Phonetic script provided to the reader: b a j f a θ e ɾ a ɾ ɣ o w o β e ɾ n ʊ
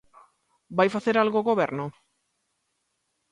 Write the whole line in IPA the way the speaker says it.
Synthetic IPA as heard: b a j f a θ e ɾ a l ɣ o ɣ o β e ɾ n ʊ